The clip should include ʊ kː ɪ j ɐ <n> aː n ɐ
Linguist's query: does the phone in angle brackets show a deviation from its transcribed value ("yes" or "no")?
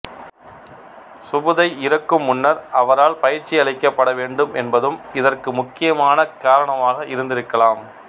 yes